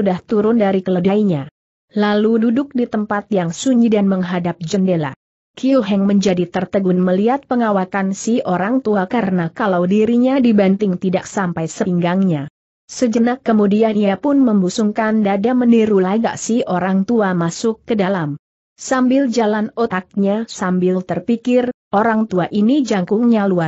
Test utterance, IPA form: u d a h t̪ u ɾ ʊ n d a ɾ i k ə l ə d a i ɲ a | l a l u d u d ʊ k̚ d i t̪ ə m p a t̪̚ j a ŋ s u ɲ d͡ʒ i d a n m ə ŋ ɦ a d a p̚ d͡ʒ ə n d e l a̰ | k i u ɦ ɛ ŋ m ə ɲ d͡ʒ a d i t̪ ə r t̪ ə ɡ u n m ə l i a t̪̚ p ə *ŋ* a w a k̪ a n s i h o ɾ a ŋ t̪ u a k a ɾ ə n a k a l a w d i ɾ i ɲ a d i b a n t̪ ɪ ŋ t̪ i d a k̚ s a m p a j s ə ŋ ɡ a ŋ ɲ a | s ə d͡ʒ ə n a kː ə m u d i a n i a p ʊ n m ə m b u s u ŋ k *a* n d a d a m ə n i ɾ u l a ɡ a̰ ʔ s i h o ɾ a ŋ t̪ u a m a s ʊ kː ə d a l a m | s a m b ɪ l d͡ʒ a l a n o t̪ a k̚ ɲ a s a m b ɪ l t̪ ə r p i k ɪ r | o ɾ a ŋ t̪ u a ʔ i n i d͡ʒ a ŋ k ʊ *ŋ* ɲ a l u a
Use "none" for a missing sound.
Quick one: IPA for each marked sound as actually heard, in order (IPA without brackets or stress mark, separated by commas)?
ŋ, a, ŋ